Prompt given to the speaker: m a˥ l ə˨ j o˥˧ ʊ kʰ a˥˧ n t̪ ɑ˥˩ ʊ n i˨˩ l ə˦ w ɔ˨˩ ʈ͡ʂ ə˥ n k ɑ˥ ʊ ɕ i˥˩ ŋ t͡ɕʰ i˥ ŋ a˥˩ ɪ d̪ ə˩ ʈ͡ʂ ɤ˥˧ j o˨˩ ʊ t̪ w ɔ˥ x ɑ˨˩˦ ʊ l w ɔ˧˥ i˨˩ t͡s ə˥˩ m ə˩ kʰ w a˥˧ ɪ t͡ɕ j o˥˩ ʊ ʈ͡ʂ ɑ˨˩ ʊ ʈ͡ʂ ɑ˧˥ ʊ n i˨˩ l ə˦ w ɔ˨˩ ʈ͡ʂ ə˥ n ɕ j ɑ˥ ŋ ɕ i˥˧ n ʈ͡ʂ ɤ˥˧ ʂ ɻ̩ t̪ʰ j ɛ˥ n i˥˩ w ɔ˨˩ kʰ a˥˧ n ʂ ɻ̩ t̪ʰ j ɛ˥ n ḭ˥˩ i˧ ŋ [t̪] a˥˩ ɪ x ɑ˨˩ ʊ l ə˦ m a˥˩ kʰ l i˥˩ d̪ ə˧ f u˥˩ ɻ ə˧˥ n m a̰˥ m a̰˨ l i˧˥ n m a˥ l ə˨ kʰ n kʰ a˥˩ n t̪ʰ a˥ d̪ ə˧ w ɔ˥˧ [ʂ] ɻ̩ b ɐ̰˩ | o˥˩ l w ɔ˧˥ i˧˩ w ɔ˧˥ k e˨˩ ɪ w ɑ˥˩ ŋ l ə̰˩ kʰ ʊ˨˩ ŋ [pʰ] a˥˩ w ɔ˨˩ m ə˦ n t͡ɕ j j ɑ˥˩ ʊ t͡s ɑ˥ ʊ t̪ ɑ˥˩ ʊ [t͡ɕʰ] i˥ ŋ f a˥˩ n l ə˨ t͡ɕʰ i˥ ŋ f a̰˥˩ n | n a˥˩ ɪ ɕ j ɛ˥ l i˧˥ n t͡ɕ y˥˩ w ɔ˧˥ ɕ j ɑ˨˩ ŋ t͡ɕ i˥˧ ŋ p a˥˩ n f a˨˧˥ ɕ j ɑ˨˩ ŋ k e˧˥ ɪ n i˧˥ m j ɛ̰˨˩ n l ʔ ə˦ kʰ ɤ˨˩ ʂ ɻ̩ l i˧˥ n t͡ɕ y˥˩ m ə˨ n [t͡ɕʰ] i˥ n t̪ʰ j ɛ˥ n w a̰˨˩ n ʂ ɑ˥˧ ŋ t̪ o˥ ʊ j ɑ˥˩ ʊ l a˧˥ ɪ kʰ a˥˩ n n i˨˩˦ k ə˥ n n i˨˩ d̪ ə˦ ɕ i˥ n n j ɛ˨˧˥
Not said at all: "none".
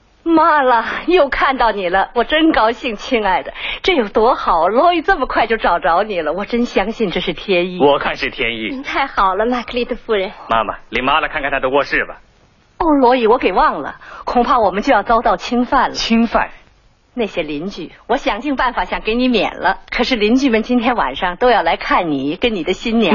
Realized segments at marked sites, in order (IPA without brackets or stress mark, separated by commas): t̪ʰ, ʂ, pʰ, t͡ɕʰ, t͡ɕ